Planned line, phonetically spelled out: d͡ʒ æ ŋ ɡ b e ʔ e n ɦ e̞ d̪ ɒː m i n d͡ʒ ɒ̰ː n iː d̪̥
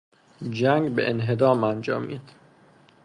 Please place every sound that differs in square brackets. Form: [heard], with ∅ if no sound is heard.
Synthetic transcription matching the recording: d͡ʒ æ ŋ ɡ b e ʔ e n ɦ e̞ d̪ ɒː m [æ] n d͡ʒ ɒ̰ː [m] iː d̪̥